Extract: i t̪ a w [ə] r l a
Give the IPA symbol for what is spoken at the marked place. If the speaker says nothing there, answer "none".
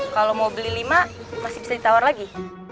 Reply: a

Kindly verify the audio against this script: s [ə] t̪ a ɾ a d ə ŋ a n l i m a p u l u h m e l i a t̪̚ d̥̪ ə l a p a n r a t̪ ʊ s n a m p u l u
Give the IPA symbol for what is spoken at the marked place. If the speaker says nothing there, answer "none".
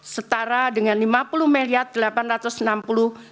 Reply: ə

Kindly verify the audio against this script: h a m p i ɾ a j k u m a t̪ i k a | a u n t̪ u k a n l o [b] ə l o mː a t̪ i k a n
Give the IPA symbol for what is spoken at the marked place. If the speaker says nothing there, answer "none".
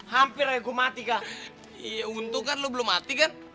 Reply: b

